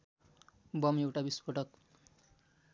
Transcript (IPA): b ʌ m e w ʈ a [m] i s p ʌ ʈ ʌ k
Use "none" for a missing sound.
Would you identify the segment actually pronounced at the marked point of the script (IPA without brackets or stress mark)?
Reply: b